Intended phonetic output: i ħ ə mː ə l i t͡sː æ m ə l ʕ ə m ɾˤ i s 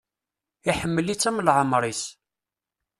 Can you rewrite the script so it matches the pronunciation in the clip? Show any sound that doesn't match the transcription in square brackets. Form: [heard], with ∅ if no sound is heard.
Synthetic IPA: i ħ ə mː ə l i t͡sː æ m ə l ʕ ə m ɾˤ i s